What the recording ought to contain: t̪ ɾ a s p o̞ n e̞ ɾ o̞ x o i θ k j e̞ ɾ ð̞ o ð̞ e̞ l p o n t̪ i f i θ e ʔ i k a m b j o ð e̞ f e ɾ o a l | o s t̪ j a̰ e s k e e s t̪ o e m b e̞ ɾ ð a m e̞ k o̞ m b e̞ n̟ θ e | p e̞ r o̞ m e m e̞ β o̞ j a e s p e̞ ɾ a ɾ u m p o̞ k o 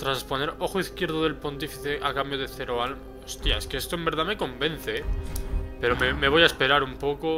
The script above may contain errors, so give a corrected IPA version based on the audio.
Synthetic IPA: t̪ ɾ a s p o̞ n e̞ ɾ o̞ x o i θ k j e̞ ɾ ð̞ o ð̞ e̞ l p o n t̪ i f i θ e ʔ a k a m b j o ð e̞ θ e ɾ o a l | o s t̪ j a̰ e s k e e s t̪ o e m b e̞ ɾ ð a m e̞ k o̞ m b e̞ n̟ θ e | p e̞ ɾ o̞ m e m e̞ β o̞ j a e s p e̞ ɾ a ɾ u m p o̞ k o

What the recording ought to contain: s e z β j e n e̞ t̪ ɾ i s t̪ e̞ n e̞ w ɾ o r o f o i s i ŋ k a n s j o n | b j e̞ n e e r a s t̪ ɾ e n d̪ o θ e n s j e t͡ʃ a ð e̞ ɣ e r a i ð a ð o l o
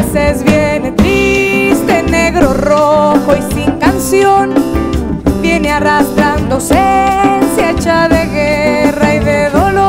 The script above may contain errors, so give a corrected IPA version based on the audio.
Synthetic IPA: s e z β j e n e̞ t̪ ɾ i s t̪ e̞ n e̞ ɣ ɾ o r o x o i s i ŋ k a n s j o n | b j e̞ n e a r a s t̪ ɾ a n d̪ o s e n s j e t͡ʃ a ð e̞ ɣ e r a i ð e ð o l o

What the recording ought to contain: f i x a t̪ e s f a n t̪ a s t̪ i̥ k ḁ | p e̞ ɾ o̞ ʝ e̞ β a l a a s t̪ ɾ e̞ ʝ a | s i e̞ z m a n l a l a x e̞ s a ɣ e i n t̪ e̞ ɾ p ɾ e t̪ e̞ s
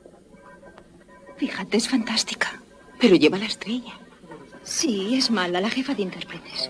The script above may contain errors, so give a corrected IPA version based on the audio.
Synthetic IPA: f i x a t̪ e s f a n t̪ a s t̪ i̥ k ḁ | p e̞ ɾ o̞ ʝ e̞ β a l a e s t̪ ɾ e̞ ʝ a | s i e̞ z m a l a l a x e̞ f a ð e i n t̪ e̞ ɾ p ɾ e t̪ e̞ s

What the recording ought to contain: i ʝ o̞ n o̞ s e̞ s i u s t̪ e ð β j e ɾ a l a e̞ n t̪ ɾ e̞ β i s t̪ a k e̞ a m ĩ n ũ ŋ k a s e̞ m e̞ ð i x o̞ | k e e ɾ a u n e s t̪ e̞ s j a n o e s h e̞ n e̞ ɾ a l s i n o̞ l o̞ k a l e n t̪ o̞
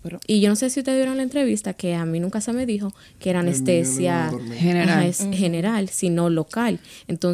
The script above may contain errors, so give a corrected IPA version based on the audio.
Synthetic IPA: i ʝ o̞ n o̞ s e̞ s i u s t̪ e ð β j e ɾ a l a e̞ n t̪ ɾ e̞ β i s t̪ a k e̞ a m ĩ n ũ ŋ k a s e̞ m e̞ ð i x o̞ | k e e ɾ a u n e s t̪ e̞ s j a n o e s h e̞ n e̞ ɾ a l s i n o̞ l o̞ k a l e n t̪ o̞

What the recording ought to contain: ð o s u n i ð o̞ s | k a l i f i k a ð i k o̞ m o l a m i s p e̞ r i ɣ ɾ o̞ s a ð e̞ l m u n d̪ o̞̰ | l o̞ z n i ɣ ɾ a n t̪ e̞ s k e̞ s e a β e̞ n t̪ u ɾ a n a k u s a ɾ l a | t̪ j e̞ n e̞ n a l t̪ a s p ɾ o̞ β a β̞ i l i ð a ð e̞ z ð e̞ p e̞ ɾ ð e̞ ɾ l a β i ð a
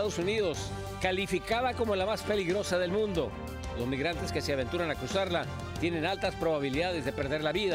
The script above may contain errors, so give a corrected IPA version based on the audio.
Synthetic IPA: ð o s u n i ð o̞ s | k a l i f i k a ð a k o̞ m o l a m a s p e̞ l i ɣ ɾ o̞ s a ð e̞ l m ũ n d̪ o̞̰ | l o̞ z m i ɣ ɾ a n t̪ e̞ s k e̞ s e a β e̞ n t̪ u ɾ a n a k u s a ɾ l a | t̪ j e̞ n e̞ n a l t̪ a s p ɾ o̞ β a β̞ i l i ð a ð e̞ z ð e̞ p e̞ ɾ ð e̞ ɾ l a β i ð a

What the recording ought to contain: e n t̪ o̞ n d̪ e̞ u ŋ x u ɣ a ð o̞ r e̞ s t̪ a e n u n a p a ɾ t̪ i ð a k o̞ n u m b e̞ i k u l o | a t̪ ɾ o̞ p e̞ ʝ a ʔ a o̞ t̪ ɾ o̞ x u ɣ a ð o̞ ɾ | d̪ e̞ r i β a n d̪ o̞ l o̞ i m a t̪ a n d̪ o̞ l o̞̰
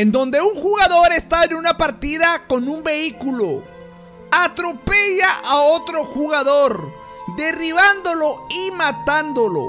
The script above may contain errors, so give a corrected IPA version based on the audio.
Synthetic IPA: e n d̪ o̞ n d̪ e̞ u ŋ x u ɣ a ð o̞ ɾ e̞ s t̪ a e n u n a p a ɾ t̪ i ð a k o̞ n u m b e̞ i k u l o | a t̪ ɾ o̞ p e̞ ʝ a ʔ a o̞ t̪ ɾ o̞ x u ɣ a ð o̞ ɾ | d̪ e̞ r i β a n d̪ o̞ l o̞ i m a t̪ a n d̪ o̞ l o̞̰

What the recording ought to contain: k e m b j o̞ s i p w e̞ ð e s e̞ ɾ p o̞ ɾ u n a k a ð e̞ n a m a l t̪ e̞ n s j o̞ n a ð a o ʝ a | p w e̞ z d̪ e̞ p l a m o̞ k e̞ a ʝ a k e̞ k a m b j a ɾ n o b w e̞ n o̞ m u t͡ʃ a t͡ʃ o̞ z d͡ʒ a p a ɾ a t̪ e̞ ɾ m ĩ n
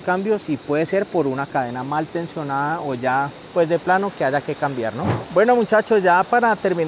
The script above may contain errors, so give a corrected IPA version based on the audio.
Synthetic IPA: k a m b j o̞ s i p w e̞ ð e s e̞ ɾ p o̞ ɾ u n a k a ð e̞ n a m a l t̪ e̞ n s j o̞ n a ð a o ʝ a | p w e̞ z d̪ e̞ p l a n o̞ k e̞ a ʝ a k e̞ k a m b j a ɾ n o b w e̞ n o̞ m u t͡ʃ a t͡ʃ o̞ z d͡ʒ a p a ɾ a t̪ e̞ ɾ m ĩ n

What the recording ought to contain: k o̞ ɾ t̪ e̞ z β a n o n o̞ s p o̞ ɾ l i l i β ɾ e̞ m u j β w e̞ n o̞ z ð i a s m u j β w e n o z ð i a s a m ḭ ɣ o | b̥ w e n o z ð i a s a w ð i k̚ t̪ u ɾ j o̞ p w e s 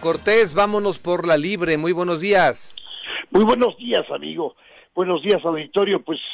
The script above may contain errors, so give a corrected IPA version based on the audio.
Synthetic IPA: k o̞ ɾ t̪ e̞ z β a m o n o̞ s p o̞ ɾ l a l i β ɾ e̞ m u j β w e̞ n o̞ z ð i a s m u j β w e n o z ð i a s a m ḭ ɣ o | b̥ w e n o z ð i a s a w ð i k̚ t̪ o ɾ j o̞ p w e s

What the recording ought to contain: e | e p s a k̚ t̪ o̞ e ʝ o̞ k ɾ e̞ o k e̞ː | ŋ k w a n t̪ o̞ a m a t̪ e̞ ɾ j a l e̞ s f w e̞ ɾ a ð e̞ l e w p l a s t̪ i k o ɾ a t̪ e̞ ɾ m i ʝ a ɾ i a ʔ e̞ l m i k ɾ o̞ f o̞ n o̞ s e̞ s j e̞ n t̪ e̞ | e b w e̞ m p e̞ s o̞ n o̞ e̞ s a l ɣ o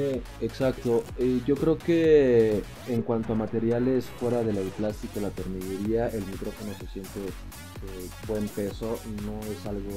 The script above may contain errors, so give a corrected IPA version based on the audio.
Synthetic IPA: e | e k s a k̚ t̪ o̞ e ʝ o̞ k ɾ e̞ o k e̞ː | ŋ k w a n t̪ o̞ a m a t̪ e̞ ɾ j a l e̞ s f w e̞ ɾ a ð e̞ l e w p l a s t̪ i k o l a t̪ e̞ ɾ m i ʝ e ɾ i a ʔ e̞ l m i k ɾ o̞ f o̞ n o̞ s e̞ s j e̞ n t̪ e̞ | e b w e̞ m p e̞ s o̞ n o̞ e̞ s a l ɣ o

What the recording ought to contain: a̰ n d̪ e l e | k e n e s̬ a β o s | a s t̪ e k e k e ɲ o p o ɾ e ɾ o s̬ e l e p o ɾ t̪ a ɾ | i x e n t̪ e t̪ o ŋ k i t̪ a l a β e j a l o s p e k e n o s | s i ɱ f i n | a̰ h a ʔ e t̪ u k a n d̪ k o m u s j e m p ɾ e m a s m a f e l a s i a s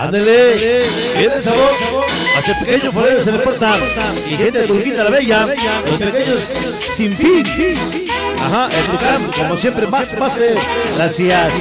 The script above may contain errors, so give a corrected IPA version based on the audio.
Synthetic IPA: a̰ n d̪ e l e | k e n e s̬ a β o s | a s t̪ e p e k e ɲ o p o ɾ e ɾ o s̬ e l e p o ɾ t̪ a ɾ | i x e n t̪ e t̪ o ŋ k i t̪ a l a β e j a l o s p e k e ɲ o s | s i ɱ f i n | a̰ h a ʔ e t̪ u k a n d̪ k o m o s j e m p ɾ e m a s m a s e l a s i a s

